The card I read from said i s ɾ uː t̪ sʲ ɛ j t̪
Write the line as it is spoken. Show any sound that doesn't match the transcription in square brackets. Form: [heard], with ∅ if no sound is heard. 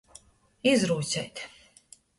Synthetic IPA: i [z] ɾ uː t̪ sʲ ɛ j t̪